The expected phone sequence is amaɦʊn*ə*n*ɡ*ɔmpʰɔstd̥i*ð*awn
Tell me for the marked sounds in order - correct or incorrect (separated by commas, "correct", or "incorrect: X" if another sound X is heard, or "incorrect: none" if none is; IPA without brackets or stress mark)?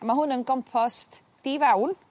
correct, correct, incorrect: v